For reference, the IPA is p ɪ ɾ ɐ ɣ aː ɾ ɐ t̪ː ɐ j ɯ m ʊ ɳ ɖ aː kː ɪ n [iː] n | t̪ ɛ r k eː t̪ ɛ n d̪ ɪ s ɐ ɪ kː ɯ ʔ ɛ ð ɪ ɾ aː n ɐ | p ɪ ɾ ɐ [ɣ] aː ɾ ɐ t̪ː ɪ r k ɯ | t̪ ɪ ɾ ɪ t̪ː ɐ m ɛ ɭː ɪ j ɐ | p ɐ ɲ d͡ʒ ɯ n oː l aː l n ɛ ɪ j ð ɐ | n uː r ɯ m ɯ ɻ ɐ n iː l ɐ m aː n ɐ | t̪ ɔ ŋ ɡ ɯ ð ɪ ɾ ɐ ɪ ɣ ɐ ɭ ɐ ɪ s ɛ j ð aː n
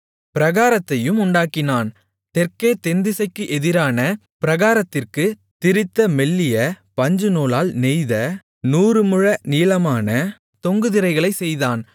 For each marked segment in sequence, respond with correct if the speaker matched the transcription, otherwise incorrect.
incorrect, correct

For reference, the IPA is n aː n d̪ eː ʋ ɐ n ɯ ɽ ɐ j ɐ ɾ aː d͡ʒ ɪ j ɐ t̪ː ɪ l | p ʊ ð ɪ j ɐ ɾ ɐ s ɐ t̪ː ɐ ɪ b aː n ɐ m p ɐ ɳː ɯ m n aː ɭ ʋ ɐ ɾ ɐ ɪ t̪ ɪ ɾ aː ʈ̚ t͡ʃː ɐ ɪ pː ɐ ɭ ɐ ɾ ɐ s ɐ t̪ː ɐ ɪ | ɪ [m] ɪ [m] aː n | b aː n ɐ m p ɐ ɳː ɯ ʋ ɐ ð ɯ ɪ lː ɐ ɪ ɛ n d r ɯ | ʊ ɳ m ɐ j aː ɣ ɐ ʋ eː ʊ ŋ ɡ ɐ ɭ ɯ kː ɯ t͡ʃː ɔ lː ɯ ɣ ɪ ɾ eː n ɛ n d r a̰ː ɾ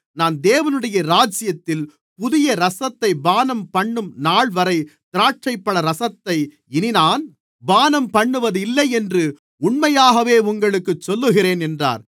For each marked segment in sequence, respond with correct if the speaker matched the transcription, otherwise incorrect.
incorrect, incorrect

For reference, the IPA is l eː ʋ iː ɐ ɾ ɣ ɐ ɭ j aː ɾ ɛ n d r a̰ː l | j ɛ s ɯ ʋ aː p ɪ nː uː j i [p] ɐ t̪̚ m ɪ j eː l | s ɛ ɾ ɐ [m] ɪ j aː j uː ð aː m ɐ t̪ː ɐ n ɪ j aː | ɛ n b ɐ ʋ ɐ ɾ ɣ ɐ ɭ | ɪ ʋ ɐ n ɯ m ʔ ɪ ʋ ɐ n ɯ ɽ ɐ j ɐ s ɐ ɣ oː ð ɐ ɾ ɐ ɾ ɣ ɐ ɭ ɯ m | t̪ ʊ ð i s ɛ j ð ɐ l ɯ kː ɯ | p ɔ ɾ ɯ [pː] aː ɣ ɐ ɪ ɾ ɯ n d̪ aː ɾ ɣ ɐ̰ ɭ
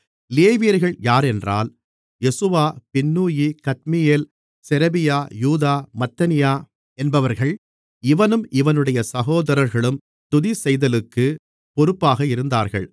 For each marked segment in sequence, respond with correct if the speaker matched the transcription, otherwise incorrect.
incorrect, incorrect, correct

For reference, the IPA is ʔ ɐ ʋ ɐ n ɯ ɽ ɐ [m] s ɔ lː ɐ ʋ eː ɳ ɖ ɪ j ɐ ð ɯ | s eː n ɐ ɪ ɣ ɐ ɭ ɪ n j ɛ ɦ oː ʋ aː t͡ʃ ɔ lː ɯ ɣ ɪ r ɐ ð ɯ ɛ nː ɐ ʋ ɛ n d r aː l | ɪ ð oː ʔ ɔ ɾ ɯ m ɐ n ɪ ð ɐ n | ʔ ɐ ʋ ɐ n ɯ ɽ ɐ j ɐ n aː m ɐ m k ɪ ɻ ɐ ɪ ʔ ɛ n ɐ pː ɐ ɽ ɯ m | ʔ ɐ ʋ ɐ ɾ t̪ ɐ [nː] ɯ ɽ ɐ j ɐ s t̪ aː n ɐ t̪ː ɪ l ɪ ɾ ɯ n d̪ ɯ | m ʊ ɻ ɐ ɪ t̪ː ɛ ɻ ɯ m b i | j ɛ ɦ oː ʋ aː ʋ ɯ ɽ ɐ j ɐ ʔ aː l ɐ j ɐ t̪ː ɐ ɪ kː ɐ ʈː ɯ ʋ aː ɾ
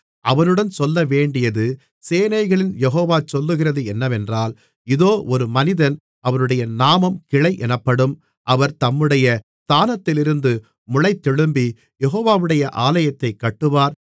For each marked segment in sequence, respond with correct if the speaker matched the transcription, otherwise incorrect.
incorrect, incorrect

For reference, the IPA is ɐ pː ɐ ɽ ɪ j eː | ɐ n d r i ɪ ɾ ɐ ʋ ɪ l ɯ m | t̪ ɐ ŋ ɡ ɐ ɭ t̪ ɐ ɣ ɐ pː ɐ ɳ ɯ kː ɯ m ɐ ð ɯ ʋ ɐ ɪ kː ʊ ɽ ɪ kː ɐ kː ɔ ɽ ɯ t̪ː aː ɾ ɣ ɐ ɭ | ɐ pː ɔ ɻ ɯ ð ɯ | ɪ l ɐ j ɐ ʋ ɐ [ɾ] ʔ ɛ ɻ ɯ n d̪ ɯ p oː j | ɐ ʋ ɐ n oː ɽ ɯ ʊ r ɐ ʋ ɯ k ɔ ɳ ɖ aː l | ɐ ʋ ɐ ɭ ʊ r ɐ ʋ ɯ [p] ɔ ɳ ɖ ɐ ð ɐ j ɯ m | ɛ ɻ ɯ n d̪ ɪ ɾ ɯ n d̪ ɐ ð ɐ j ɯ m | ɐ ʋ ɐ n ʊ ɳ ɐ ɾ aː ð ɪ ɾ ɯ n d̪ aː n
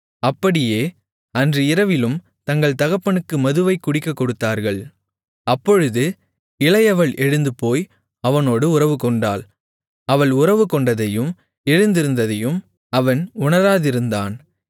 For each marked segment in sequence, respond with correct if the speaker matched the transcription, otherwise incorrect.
incorrect, incorrect

